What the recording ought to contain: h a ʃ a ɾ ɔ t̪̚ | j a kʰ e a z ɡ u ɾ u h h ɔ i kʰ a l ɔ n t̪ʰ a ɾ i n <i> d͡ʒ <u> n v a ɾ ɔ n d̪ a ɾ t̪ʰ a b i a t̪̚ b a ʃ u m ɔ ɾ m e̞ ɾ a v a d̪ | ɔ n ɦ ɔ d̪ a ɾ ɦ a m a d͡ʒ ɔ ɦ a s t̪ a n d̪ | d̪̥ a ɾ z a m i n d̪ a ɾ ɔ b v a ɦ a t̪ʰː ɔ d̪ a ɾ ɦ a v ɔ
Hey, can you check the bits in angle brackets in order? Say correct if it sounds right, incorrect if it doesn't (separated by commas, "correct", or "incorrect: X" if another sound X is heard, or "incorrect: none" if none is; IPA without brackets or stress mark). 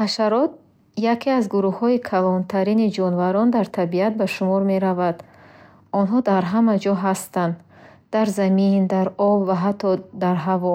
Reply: correct, incorrect: ɔ